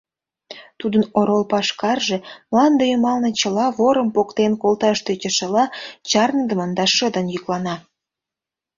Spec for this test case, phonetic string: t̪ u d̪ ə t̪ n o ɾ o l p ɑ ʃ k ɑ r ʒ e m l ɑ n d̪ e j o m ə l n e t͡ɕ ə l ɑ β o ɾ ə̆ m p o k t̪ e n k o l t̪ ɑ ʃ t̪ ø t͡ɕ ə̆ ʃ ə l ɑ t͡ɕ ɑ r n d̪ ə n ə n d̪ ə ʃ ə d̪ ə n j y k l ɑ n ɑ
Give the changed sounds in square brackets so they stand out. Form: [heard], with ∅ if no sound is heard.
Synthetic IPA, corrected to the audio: t̪ u d̪ ə [∅] n o ɾ o l p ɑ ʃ k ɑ r ʒ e m l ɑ n d̪ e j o m [ɑ] l n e t͡ɕ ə l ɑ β o ɾ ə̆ m p o k t̪ e n k o l t̪ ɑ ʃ t̪ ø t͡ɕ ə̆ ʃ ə l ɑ t͡ɕ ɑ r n d̪ ə [m] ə n d̪ [ɑ] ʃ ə d̪ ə n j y k l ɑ n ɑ